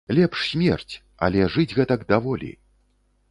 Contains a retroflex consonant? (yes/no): yes